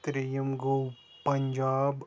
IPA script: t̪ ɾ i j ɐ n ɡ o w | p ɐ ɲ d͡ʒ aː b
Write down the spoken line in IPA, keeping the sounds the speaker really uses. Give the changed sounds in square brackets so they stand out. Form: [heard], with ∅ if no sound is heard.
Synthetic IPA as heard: t̪ ɾ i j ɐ [m] ɡ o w | p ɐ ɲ d͡ʒ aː b

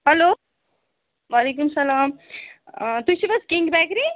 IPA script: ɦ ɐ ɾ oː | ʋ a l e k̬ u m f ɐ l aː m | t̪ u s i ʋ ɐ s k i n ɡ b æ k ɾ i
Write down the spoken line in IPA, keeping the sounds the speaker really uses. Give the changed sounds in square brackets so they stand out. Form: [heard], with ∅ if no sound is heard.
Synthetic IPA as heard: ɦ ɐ [l] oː | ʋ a l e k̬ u m [s] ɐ l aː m | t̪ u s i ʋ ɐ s k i [ŋ] ɡ b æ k ɾ i

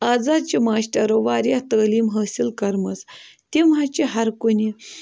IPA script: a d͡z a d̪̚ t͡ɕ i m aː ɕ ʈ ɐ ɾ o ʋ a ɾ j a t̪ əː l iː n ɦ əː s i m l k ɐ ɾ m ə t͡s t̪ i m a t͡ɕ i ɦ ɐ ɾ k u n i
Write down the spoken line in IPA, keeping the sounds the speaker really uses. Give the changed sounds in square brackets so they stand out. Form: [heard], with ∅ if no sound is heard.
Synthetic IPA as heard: a d͡z a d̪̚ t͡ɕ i m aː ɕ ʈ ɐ ɾ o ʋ a ɾ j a t̪ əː l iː [m] ɦ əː s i [∅] l k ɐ ɾ m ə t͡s t̪ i m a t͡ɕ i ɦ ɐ ɾ k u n i

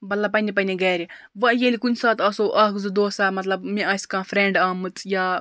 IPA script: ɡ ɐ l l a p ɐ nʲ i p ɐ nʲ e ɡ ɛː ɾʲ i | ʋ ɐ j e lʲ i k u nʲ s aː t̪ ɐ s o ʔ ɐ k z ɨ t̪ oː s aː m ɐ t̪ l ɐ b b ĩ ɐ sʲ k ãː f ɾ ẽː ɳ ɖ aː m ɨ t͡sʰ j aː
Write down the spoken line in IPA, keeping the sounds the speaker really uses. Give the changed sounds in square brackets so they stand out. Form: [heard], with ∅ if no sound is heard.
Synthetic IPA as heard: [b] ɐ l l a p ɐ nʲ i p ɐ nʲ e ɡ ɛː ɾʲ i | ʋ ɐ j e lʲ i k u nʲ s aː t̪ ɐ s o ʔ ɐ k z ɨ [d̪] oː s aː m ɐ t̪ l ɐ b [m] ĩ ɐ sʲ k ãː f ɾ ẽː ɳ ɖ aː m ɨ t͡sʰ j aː

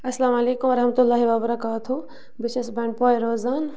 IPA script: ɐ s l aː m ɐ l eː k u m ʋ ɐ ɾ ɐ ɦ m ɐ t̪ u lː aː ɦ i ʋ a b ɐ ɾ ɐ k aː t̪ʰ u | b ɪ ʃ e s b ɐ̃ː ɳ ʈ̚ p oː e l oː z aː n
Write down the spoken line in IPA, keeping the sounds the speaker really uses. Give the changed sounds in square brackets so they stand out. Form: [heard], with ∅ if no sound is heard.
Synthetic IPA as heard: ɐ s l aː m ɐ l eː k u m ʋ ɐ ɾ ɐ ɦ m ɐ t̪ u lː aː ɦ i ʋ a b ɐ ɾ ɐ k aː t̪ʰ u | b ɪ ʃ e s b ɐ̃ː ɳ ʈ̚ p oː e [ɾ] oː z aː n

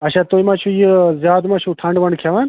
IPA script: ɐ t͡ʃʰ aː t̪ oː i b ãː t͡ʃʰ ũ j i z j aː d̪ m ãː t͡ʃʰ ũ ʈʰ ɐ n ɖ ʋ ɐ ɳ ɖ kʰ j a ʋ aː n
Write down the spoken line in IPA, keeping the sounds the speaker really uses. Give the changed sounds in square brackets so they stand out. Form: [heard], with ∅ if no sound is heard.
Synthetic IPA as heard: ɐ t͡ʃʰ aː t̪ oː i [m] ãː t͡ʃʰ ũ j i z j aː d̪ m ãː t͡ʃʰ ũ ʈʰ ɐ [ɳ] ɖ ʋ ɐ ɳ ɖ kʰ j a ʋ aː n

